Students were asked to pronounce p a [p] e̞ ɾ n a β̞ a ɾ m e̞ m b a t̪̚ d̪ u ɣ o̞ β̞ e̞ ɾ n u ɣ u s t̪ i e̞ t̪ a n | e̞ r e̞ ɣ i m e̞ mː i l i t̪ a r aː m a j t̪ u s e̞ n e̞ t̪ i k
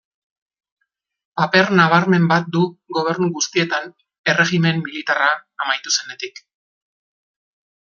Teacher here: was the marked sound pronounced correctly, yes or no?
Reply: yes